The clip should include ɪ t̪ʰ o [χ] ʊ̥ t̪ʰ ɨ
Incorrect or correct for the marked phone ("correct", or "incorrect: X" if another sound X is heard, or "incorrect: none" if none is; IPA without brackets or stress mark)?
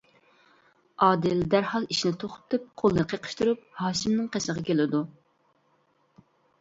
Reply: correct